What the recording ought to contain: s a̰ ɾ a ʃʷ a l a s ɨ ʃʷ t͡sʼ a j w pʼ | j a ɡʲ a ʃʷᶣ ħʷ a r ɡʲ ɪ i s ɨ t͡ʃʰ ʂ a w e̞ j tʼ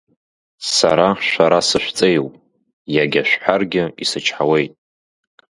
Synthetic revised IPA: s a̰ ɾ a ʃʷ a ɾ a s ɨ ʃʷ t͡sʼ e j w pʼ | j a ɡʲ a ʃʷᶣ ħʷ a r ɡʲ ɪ i s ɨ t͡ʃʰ ħ a w e̞ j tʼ